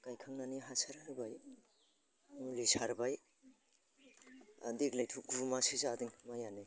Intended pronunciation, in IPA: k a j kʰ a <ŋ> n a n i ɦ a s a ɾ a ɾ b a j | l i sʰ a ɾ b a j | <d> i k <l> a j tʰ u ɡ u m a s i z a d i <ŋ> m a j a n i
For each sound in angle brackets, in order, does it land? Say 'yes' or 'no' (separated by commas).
yes, yes, yes, yes